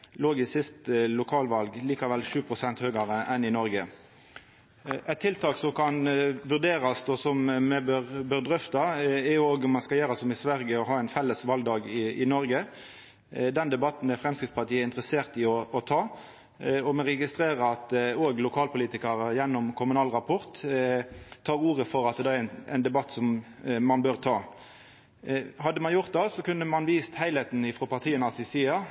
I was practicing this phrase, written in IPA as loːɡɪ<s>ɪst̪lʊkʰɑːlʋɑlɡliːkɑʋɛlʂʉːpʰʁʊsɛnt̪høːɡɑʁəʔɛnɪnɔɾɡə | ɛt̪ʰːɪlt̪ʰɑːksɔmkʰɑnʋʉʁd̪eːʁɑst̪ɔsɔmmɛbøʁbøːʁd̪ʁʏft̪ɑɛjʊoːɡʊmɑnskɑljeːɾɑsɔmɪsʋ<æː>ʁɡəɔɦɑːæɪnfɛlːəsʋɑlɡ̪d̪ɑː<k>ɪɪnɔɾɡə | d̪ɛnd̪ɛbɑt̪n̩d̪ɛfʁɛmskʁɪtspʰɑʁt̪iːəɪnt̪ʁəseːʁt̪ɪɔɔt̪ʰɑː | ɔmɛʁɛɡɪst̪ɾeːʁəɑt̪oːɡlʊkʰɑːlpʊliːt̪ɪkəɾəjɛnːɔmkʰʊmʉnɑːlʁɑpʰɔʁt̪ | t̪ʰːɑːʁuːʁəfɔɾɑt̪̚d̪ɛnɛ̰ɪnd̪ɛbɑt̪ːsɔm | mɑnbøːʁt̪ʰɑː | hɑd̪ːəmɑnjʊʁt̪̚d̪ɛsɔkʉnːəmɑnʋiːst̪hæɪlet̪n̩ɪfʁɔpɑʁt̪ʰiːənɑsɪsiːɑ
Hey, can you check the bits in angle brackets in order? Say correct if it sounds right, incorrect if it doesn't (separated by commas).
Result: correct, incorrect, incorrect